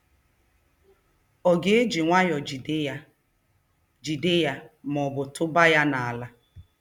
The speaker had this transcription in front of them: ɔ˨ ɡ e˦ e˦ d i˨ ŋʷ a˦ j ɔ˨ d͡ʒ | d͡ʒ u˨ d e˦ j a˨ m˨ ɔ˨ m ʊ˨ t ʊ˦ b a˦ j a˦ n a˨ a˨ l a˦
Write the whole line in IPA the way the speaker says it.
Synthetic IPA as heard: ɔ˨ ɡ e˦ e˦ d͡ʒ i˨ ŋʷ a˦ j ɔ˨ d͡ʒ | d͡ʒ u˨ d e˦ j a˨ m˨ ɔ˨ b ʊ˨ t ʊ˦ b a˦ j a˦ n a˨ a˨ l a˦